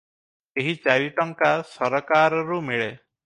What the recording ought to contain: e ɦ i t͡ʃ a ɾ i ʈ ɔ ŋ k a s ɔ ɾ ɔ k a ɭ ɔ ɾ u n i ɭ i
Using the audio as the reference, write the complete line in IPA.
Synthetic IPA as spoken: e ɦ i t͡ʃ a ɾ i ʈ ɔ ŋ k a s ɔ ɾ ɔ k a ɾ ɔ ɾ u m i ɭ e